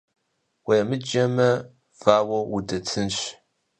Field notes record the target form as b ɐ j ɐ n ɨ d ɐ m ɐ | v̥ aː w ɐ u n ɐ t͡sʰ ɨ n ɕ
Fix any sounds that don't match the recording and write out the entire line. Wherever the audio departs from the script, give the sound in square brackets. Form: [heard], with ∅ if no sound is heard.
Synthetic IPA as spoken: [w] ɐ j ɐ [m] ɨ [d͡ʒ] ɐ m ɐ | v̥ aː w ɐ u [d] ɐ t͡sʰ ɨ n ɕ